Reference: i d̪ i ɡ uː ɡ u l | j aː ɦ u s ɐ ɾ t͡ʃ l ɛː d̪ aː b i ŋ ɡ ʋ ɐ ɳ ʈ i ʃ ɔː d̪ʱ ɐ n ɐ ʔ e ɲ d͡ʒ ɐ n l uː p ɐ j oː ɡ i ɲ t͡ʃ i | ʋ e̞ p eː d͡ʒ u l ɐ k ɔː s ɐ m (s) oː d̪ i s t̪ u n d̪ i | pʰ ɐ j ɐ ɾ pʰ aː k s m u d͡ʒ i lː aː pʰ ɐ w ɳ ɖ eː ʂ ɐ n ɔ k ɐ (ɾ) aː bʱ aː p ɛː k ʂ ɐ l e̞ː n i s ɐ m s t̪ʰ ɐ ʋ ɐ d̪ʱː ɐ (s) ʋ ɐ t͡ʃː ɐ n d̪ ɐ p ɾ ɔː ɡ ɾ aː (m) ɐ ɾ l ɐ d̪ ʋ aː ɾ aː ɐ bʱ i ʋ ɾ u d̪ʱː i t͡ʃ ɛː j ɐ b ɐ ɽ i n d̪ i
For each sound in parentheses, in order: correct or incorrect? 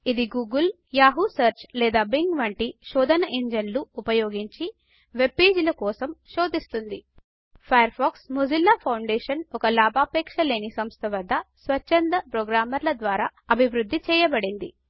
incorrect, incorrect, correct, correct

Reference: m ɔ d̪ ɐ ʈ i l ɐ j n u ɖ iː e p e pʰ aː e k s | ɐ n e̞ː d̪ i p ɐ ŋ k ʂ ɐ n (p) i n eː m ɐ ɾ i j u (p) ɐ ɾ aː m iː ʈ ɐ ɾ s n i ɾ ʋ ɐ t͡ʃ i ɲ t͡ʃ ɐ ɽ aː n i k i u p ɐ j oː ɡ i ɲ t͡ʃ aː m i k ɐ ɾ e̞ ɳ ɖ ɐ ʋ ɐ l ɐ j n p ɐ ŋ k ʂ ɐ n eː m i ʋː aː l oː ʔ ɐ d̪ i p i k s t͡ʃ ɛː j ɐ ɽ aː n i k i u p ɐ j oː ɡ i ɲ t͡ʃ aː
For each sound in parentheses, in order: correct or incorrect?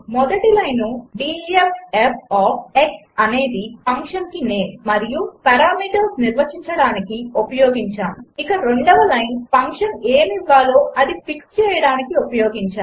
incorrect, correct

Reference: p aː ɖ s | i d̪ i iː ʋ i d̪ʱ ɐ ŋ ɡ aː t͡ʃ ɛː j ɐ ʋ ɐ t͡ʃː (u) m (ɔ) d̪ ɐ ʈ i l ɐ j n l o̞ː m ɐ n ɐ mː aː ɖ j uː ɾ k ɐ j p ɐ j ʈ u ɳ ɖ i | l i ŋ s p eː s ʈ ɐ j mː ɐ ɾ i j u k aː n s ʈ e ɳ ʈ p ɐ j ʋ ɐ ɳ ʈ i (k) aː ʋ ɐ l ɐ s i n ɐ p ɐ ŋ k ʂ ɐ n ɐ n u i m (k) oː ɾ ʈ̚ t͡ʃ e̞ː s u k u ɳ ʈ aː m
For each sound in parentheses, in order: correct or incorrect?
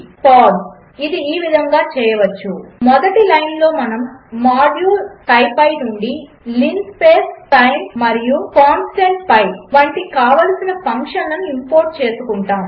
correct, correct, correct, incorrect

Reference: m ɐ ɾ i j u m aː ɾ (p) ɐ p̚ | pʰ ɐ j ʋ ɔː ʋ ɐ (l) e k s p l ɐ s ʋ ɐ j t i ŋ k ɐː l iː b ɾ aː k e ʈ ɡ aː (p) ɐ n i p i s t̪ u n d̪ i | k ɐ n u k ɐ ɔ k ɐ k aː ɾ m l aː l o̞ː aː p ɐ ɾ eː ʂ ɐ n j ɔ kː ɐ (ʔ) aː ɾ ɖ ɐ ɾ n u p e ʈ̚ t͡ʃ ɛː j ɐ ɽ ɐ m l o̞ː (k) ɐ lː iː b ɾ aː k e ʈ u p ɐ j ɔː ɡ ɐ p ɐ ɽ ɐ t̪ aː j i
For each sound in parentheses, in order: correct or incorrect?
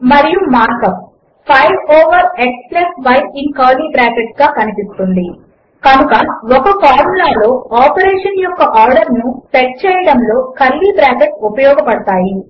incorrect, incorrect, incorrect, correct, correct

